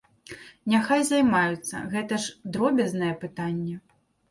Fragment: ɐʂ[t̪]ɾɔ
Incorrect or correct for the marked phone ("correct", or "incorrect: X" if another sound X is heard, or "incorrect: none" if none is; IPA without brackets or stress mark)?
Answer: incorrect: d̪